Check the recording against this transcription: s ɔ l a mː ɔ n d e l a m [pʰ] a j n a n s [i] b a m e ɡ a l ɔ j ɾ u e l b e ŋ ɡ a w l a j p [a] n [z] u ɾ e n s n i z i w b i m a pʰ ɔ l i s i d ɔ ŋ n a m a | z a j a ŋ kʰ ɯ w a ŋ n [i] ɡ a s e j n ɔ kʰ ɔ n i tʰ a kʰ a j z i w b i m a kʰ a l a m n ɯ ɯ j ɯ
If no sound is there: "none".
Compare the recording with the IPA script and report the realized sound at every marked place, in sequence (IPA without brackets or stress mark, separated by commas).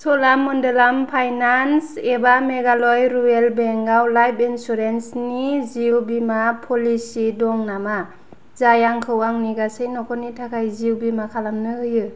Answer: pʰ, e, i, s, i